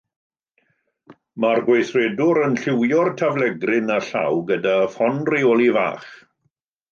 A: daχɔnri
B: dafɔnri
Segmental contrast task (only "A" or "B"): B